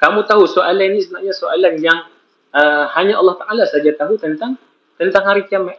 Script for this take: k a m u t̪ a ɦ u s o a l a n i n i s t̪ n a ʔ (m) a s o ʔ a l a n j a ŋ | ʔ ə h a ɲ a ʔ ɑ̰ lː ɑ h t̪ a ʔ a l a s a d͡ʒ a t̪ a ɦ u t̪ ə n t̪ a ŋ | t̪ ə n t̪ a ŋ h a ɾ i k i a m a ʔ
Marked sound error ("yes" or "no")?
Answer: yes